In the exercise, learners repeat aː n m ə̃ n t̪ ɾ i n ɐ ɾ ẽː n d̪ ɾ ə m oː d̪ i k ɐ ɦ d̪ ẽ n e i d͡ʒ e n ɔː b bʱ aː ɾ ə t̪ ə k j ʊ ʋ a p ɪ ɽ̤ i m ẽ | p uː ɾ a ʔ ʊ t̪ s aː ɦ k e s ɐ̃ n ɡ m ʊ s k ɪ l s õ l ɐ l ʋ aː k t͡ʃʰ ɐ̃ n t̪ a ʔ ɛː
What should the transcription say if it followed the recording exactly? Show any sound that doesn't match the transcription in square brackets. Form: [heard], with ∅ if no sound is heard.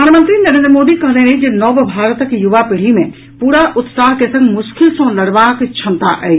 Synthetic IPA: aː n m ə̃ n t̪ ɾ i n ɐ ɾ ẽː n d̪ ɾ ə m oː d̪ i k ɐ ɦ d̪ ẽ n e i d͡ʒ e n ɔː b bʱ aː ɾ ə t̪ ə k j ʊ ʋ a p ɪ ɽ̤ i m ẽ | p uː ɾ a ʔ ʊ t̪ s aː ɦ k e s ɐ̃ [ŋ] ɡ m ʊ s k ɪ l s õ l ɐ [ɽ] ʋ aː k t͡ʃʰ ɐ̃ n t̪ a ʔ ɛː